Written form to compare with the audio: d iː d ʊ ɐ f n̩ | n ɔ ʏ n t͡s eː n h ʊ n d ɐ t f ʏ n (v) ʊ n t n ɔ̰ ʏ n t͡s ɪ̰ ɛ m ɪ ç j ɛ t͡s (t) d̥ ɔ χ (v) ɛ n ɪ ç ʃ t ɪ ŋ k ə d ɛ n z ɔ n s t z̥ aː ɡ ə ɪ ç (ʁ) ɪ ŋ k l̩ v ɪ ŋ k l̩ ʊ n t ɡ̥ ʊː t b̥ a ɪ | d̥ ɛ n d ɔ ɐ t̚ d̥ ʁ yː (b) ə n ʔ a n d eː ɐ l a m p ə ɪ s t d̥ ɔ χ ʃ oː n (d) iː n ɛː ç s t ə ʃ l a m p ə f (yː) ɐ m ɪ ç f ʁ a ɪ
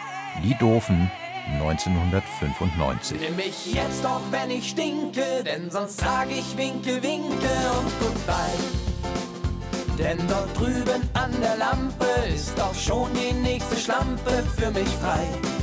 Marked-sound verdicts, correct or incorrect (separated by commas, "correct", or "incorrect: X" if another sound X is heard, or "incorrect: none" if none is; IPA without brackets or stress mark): incorrect: f, correct, correct, incorrect: v, correct, correct, correct